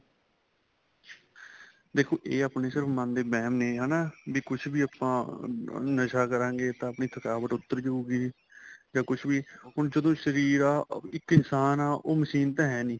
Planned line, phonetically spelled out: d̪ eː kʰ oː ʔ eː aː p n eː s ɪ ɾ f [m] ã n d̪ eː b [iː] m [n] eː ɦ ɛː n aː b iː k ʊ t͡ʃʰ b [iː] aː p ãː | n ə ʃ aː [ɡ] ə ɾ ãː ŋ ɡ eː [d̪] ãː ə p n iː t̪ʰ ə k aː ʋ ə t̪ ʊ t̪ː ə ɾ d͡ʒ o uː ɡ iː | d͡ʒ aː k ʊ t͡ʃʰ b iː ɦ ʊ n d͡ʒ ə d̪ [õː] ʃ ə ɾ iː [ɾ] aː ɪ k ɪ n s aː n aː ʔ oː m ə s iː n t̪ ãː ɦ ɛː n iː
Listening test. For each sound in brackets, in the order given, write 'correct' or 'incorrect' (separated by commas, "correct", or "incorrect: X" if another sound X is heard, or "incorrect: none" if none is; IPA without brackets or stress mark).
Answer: correct, incorrect: ɛː, correct, correct, incorrect: k, incorrect: t̪, correct, correct